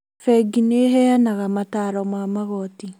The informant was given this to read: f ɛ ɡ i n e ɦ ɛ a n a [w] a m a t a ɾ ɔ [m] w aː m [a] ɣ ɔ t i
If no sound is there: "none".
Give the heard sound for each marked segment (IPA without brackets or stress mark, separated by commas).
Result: ɣ, m, a